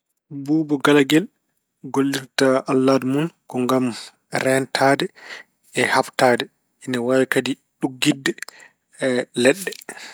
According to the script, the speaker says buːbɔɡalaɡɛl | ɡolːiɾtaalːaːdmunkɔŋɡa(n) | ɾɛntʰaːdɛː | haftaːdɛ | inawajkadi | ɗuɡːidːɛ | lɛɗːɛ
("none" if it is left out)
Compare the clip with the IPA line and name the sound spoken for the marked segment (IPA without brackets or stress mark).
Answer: m